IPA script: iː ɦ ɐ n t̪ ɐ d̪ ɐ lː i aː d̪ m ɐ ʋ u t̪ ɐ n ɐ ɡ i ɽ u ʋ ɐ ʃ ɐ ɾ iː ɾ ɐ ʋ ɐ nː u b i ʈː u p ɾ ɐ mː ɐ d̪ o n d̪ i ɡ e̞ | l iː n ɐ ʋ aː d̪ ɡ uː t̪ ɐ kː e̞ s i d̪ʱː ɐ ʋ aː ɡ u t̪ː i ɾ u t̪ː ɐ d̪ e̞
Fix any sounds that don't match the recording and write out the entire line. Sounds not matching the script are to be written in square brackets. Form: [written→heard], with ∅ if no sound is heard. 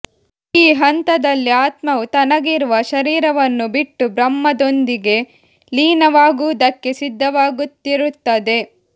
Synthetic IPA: iː ɦ ɐ n t̪ ɐ d̪ ɐ lː i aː [d̪→t̪] m ɐ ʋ u t̪ ɐ n ɐ ɡ i [ɽ→ɾ] u ʋ ɐ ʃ ɐ ɾ iː ɾ ɐ ʋ ɐ nː u b i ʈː u [p→b] ɾ ɐ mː ɐ d̪ o n d̪ i ɡ e̞ | l iː n ɐ ʋ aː [d̪→∅] ɡ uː [t̪→d̪] ɐ kː e̞ s i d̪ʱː ɐ ʋ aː ɡ u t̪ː i ɾ u t̪ː ɐ d̪ e̞

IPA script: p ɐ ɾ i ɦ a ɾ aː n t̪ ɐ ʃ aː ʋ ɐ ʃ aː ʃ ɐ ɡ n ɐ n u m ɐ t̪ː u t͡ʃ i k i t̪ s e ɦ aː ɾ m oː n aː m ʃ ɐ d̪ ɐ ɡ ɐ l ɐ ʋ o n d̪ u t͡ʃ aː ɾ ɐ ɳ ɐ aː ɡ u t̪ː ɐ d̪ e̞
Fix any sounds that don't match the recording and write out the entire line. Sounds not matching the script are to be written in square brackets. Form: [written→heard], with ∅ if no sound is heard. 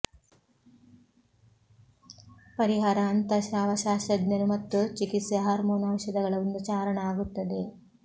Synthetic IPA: p ɐ ɾ i ɦ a ɾ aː n t̪ ɐ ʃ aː ʋ ɐ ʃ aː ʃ ɐ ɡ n ɐ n u m ɐ t̪ː u t͡ʃ i k i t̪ s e ɦ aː ɾ m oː n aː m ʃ ɐ d̪ ɐ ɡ ɐ [l→ɭ] ɐ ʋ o n d̪ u t͡ʃ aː ɾ ɐ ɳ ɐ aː ɡ u t̪ː ɐ d̪ e̞

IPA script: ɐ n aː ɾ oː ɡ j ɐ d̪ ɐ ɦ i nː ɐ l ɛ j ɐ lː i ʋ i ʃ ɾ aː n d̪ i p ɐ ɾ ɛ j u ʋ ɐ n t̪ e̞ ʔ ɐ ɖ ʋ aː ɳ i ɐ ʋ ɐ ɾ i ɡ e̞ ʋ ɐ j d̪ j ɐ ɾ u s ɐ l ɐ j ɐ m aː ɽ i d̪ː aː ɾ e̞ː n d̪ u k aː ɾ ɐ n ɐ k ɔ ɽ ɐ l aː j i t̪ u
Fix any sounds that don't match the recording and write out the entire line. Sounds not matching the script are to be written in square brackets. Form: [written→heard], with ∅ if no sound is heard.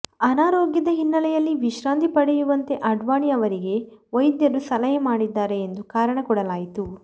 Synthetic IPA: ɐ n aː ɾ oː ɡ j ɐ d̪ ɐ ɦ i nː ɐ l ɛ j ɐ lː i ʋ i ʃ ɾ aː n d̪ i p ɐ [ɾ→ɽ] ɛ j u ʋ ɐ n t̪ e̞ ʔ ɐ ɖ ʋ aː ɳ i ɐ ʋ ɐ ɾ i ɡ e̞ ʋ ɐ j d̪ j ɐ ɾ u s ɐ l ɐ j ɐ m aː ɽ i d̪ː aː ɾ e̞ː n d̪ u k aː ɾ ɐ [n→ɳ] ɐ k ɔ ɽ ɐ l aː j i t̪ u

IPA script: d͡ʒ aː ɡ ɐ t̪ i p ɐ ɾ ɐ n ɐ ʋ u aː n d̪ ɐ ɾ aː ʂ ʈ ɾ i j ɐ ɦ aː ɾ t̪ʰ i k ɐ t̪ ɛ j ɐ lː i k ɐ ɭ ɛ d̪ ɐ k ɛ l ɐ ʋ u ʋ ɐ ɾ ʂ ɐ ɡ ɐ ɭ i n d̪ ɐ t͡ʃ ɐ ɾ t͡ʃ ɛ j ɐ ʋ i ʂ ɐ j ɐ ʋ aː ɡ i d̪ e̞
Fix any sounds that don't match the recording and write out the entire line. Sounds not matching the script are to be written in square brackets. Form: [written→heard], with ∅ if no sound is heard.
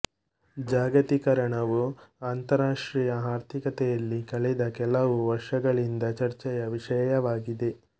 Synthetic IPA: d͡ʒ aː ɡ ɐ t̪ i [p→k] ɐ ɾ ɐ [n→ɳ] ɐ ʋ u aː n [d̪→t̪] ɐ ɾ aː ʂ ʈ ɾ i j ɐ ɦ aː ɾ t̪ʰ i k ɐ t̪ ɛ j ɐ lː i k ɐ ɭ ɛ d̪ ɐ k ɛ l ɐ ʋ u ʋ ɐ ɾ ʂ ɐ ɡ ɐ ɭ i n d̪ ɐ t͡ʃ ɐ ɾ t͡ʃ ɛ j ɐ ʋ i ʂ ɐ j ɐ ʋ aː ɡ i d̪ e̞

